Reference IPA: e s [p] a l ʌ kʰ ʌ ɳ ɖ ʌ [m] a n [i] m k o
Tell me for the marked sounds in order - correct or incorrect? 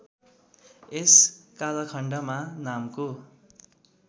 incorrect, correct, incorrect

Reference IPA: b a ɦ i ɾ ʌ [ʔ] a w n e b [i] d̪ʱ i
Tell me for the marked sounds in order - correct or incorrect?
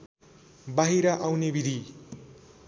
correct, correct

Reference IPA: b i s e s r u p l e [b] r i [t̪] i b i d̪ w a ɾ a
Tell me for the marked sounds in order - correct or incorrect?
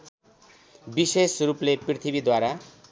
incorrect, incorrect

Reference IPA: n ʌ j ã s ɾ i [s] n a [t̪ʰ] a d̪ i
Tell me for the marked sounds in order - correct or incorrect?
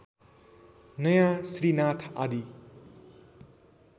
incorrect, correct

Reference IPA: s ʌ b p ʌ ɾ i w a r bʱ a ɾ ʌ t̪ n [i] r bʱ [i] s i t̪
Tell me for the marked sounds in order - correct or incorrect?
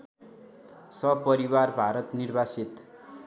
correct, incorrect

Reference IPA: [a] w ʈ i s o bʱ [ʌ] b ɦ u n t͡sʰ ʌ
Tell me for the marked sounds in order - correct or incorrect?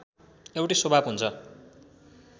incorrect, incorrect

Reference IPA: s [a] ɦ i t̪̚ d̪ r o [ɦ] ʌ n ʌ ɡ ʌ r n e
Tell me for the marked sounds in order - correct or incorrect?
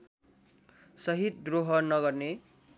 incorrect, correct

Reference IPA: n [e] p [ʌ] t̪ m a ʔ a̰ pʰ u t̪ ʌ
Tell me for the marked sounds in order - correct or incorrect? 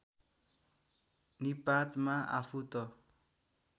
incorrect, incorrect

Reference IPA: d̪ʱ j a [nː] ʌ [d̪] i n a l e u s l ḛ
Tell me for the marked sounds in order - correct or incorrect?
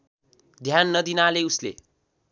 correct, correct

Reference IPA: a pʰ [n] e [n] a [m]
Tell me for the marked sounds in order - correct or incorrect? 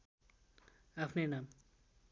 correct, correct, correct

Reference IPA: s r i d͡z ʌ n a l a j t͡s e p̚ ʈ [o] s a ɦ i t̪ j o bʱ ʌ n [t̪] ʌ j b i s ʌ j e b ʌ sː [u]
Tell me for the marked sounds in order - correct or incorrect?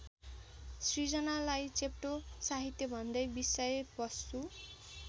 correct, incorrect, correct

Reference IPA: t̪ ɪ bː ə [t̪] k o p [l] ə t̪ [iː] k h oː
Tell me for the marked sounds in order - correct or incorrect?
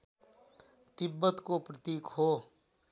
correct, incorrect, correct

